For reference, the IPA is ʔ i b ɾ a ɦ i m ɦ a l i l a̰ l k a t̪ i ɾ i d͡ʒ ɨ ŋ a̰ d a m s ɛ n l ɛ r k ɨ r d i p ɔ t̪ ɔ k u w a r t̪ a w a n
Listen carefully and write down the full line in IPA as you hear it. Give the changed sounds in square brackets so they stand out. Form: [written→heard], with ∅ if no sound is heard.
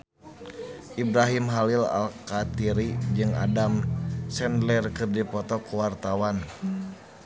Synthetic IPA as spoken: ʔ i b ɾ a ɦ i m ɦ a l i l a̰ l k a t̪ i ɾ i d͡ʒ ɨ ŋ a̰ d a m s ɛ n l ɛ r k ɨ r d i p ɔ t̪ ɔ k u w a r t̪ a w a n